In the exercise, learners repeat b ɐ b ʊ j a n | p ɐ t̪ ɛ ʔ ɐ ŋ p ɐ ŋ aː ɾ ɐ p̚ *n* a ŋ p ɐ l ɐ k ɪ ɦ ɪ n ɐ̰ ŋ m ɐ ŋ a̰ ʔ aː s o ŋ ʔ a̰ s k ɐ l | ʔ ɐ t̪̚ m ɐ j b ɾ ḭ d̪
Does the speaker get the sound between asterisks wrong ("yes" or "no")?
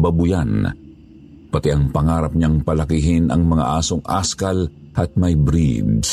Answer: yes